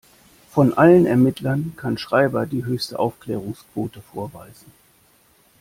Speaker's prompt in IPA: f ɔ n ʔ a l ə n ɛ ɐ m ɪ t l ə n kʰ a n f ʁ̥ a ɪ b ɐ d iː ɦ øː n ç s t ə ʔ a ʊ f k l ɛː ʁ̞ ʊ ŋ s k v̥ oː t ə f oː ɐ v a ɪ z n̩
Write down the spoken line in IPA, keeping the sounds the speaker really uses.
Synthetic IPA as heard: f ɔ n ʔ a l ə n ɛ ɐ m ɪ t l ɐ n kʰ a n ʃ ʁ̥ a ɪ b ɐ d iː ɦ øː ç s t ə ʔ a ʊ f k l ɛː ʁ̞ ʊ ŋ s k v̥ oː t ə f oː ɐ v a ɪ z n̩